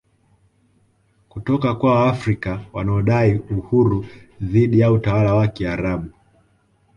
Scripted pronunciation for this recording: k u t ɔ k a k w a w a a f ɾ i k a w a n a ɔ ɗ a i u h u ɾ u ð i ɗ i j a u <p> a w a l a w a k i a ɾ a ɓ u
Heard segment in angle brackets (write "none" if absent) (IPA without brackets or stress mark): t